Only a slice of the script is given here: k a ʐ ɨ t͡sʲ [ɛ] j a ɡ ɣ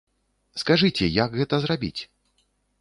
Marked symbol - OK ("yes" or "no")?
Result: yes